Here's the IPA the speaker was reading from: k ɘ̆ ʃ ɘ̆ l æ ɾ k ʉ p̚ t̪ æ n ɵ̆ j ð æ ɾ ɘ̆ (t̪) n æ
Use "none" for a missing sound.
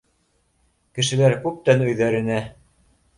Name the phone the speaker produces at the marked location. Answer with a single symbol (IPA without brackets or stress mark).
none